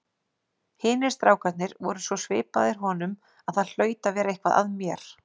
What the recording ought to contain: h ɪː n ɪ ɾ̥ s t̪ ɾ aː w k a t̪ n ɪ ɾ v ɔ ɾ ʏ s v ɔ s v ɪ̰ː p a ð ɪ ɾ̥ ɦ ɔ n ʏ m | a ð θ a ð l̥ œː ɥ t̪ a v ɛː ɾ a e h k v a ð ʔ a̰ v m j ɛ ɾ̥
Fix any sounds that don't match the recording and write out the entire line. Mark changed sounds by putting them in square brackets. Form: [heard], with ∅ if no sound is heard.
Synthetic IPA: h ɪː n ɪ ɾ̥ s t̪ ɾ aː w k a t̪ n ɪ ɾ v ɔ ɾ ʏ s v ɔ s v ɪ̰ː p a ð ɪ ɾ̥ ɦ ɔ n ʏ m | a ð θ a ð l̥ œː ɥ t̪ a v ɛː ɾ a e h k v a ð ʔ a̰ [ð] m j ɛ ɾ̥